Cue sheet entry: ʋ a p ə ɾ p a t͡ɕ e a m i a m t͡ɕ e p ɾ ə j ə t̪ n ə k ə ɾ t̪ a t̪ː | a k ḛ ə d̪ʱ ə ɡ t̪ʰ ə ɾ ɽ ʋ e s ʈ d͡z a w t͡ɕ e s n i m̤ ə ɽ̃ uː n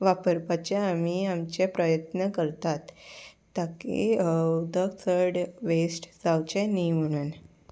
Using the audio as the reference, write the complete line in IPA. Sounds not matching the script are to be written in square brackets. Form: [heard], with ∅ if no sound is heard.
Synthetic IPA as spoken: ʋ a p ə ɾ p a t͡ɕ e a m i a m t͡ɕ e p ɾ ə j ə t̪ n ə k ə ɾ t̪ a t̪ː | a k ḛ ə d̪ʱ ə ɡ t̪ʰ ə ɾ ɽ ʋ e s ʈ d͡z a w t͡ɕ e [∅] n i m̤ ə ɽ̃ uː n